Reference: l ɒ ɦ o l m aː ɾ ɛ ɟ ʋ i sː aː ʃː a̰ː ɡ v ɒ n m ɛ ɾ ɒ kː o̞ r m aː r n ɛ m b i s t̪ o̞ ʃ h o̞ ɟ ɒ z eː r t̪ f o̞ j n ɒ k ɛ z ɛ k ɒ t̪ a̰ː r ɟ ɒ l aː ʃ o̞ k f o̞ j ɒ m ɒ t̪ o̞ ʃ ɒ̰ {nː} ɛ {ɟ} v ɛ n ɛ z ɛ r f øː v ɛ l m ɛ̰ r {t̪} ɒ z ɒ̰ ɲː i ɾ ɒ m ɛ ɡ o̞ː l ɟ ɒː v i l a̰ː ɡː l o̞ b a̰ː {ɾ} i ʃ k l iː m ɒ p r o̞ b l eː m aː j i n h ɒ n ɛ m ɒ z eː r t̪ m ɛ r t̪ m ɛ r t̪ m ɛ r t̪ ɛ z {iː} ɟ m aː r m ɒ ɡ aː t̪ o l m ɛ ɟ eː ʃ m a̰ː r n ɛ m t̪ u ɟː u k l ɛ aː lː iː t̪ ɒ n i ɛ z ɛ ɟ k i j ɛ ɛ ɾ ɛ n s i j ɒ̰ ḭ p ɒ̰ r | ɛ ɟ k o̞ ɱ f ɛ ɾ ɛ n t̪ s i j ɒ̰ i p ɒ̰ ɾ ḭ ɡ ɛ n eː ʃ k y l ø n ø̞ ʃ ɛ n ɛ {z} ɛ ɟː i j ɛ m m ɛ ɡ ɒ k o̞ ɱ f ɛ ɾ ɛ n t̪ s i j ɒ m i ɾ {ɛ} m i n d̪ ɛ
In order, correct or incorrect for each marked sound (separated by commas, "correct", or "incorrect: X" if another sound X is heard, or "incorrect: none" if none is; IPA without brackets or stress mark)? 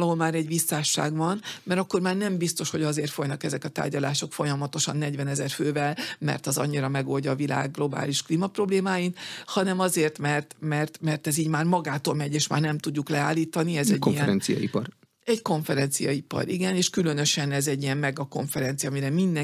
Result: correct, correct, correct, incorrect: l, correct, correct, correct